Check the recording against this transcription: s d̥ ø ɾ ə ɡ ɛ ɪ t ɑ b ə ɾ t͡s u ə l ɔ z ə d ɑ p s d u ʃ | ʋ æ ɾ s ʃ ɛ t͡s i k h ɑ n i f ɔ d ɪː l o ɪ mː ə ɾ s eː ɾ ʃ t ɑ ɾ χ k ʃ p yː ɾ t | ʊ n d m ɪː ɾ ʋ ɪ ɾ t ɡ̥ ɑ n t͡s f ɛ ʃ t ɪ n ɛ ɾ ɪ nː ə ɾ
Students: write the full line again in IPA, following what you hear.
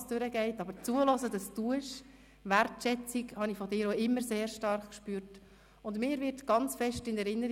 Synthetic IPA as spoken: s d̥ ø ɾ ə ɡ ɛ ɪ t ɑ b ə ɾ t͡s u ə l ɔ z ə d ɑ s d u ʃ | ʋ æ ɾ t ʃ ɛ t͡s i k h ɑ n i f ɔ d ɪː ɾ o ɪ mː ə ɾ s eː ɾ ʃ t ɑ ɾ χ k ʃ p yː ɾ t | ʊ n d m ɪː ɾ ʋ ɪ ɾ t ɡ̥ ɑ n t͡s f ɛ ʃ t ɪ n ɛ ɾ ɪ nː ə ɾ